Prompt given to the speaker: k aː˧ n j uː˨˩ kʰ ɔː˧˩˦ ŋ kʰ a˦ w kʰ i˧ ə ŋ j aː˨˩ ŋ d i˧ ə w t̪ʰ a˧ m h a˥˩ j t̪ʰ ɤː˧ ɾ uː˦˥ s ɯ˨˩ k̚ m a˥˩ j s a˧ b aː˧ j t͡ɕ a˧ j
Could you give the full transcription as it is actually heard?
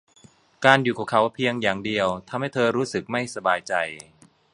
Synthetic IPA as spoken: k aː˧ n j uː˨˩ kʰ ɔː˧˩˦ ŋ kʰ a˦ w pʰ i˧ ə ŋ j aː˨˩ ŋ d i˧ ə w t̪ʰ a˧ m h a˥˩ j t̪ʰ ɤː˧ ɾ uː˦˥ s ɯ˨˩ k̚ m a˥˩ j s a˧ b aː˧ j t͡ɕ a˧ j

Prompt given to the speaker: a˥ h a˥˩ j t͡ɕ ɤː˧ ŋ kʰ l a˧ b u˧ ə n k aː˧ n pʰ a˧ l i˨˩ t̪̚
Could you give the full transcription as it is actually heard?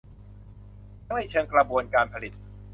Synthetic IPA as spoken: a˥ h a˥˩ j t͡ɕʰ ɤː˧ ŋ k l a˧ b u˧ ə n k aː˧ n pʰ a˧ l i˨˩ t̪̚

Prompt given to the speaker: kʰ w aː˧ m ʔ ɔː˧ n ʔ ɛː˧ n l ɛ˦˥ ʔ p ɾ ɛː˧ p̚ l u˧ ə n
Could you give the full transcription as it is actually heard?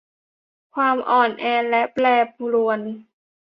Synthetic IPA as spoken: kʰ w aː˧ m ʔ ɔː˨˩ n ʔ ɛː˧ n l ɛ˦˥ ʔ p l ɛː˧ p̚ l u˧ ə n

